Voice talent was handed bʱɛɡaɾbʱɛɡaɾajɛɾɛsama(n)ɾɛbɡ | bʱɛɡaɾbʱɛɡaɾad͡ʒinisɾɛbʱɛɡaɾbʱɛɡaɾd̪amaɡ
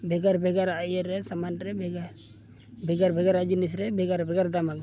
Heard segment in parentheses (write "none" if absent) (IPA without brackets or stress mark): n